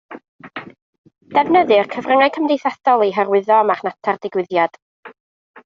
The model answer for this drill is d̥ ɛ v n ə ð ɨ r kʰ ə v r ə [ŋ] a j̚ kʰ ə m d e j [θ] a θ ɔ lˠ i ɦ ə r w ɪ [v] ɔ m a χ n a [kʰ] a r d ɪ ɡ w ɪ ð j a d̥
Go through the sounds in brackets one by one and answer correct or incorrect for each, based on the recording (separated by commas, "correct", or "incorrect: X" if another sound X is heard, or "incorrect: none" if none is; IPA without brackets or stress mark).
correct, correct, incorrect: ð, incorrect: tʰ